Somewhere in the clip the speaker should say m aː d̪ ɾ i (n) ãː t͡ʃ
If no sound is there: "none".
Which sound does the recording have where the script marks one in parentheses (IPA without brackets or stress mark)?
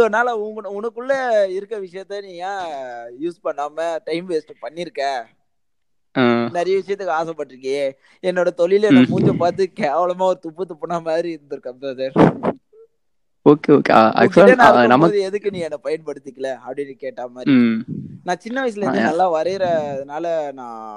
n